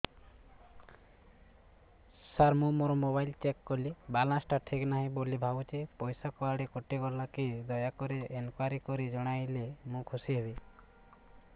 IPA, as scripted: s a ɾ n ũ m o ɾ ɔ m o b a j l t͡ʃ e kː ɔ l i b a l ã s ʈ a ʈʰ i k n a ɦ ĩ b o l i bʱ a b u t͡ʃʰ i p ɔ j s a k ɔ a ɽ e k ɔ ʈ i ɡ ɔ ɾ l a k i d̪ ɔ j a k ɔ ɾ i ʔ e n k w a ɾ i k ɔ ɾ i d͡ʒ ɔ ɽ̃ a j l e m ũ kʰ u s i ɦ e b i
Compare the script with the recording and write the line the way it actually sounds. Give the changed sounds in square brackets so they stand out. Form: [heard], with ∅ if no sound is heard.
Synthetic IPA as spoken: s a ɾ [m] ũ m o ɾ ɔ m o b a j l t͡ʃ e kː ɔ l i b a l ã s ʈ a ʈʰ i k n a ɦ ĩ b o l i bʱ a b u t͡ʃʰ i p ɔ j s a k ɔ a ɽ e k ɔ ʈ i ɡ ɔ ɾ l a k i d̪ ɔ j a k ɔ ɾ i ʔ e n k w a ɾ i k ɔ ɾ i d͡ʒ ɔ ɽ̃ a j l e m ũ kʰ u s i ɦ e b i